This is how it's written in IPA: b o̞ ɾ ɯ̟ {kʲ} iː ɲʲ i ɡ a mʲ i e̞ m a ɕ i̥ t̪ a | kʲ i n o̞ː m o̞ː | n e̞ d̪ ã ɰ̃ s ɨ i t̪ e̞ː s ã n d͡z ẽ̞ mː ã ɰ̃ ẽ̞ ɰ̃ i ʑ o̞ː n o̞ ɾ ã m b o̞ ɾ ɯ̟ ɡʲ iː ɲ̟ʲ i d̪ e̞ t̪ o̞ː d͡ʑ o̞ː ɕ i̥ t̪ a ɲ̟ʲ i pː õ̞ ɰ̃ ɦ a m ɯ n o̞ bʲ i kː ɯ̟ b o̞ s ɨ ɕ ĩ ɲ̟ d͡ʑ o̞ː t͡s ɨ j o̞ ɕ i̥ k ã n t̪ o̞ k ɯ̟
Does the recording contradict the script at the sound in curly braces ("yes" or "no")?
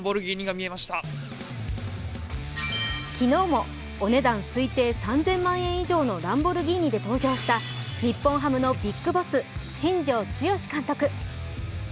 yes